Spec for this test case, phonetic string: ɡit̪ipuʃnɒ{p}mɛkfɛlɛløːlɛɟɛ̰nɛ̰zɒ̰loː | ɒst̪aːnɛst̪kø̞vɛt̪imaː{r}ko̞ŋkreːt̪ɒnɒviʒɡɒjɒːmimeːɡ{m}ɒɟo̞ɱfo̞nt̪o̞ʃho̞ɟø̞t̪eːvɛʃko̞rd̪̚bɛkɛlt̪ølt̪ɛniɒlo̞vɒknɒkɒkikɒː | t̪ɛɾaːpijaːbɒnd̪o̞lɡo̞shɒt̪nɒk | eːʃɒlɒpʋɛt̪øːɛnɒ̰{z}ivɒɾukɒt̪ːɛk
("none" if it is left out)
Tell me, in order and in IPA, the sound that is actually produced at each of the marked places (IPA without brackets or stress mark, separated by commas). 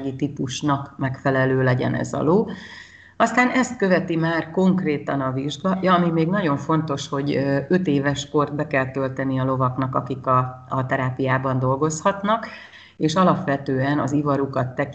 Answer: k, r, n, z